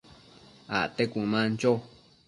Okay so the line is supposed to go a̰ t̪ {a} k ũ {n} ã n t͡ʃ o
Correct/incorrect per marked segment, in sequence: incorrect, incorrect

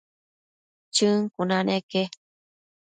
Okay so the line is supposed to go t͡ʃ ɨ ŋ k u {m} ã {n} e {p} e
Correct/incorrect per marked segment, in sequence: incorrect, correct, incorrect

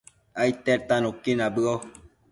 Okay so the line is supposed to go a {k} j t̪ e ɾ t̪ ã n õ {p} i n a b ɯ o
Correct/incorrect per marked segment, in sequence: incorrect, incorrect

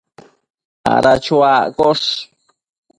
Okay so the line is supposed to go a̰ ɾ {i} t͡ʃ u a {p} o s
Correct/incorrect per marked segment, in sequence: incorrect, incorrect

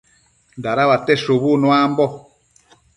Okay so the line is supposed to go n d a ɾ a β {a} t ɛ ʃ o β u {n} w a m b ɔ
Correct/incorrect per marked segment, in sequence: correct, correct

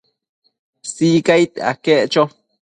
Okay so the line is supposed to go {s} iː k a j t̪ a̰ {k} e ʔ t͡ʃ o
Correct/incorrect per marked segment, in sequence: correct, correct

